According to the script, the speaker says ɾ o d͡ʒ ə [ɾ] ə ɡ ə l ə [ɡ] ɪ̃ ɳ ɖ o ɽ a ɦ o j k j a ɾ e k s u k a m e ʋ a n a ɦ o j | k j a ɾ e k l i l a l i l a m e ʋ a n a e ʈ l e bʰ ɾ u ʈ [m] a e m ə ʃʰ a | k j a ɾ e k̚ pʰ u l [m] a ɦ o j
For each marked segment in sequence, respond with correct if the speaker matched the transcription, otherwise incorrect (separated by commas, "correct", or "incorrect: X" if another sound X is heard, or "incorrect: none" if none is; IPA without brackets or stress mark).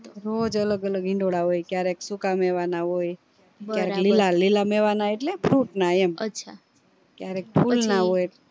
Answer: incorrect: l, correct, incorrect: n, incorrect: n